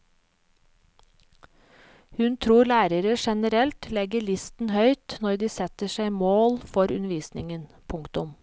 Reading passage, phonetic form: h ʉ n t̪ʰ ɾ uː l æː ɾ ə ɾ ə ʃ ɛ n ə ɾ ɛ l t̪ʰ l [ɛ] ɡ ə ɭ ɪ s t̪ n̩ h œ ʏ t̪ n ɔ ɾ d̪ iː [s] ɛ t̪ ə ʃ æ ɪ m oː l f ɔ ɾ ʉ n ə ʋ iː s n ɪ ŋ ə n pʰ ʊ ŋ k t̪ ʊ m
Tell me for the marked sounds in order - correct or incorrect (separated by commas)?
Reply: correct, correct